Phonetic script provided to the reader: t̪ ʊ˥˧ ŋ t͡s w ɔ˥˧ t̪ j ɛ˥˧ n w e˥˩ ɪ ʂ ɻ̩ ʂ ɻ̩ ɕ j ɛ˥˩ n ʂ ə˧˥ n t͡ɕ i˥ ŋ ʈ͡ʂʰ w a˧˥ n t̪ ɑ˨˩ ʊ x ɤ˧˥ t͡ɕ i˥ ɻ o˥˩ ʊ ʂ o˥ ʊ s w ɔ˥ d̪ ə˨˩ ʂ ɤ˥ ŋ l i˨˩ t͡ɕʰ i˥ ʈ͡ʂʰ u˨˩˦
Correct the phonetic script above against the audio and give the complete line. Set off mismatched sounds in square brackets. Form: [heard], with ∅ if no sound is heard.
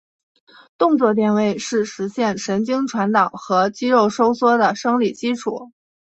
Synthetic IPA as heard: t̪ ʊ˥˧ ŋ t͡s w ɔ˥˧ t̪ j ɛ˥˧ n w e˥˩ ɪ ʂ ɻ̩ ʂ ɻ̩ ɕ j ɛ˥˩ n ʂ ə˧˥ n t͡ɕ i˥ ŋ ʈ͡ʂʰ w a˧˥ n t̪ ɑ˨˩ ʊ x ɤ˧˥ t͡ɕ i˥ ɻ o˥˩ ʊ ʂ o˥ ʊ s w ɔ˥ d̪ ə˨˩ ʂ ɤ˥ ŋ l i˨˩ [t͡ɕ] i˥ ʈ͡ʂʰ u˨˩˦